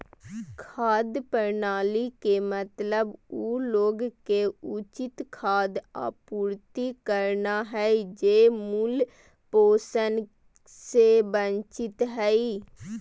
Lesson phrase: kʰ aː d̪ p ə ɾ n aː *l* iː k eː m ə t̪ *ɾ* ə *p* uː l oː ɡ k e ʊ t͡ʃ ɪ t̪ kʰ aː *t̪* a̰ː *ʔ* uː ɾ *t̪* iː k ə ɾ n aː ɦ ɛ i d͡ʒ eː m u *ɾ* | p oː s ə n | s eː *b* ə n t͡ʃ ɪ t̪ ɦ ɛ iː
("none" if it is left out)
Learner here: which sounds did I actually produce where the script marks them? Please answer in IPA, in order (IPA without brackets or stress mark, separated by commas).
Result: l, l, b, d̪, p, t̪, l, b